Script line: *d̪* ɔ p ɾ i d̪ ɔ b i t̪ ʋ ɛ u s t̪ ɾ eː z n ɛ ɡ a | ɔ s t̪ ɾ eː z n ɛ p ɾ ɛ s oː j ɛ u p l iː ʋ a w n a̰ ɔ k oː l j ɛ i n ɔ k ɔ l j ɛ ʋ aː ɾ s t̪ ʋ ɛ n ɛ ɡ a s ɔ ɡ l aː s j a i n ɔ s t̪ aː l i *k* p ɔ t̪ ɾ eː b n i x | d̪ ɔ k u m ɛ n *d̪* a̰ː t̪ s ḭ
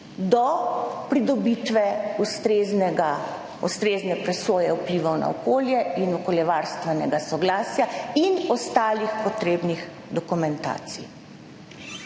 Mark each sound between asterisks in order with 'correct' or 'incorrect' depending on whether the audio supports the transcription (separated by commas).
correct, incorrect, incorrect